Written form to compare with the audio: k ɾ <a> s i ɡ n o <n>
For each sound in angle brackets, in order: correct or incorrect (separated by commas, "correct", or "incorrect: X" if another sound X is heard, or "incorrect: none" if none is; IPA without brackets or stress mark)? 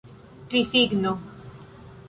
incorrect: i, incorrect: none